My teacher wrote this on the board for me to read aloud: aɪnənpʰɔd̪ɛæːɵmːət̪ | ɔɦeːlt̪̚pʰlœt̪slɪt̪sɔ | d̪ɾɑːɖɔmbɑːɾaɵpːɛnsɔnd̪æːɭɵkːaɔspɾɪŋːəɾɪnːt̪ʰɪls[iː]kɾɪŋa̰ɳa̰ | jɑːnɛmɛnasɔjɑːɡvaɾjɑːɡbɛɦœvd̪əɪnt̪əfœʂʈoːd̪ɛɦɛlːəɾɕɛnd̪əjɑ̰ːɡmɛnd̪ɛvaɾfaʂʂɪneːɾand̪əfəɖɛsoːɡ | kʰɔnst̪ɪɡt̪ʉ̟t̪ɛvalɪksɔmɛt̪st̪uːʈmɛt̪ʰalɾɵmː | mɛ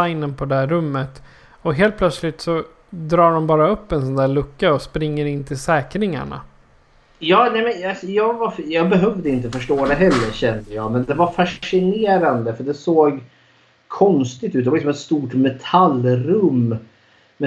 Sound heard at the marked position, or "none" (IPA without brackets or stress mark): ɛː